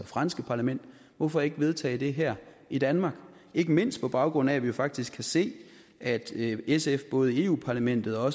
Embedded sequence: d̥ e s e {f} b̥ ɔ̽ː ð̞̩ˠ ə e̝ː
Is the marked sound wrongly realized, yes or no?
no